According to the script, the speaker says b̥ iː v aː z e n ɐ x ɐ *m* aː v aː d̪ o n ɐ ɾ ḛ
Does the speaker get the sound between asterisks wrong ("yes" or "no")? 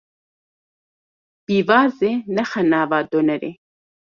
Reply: yes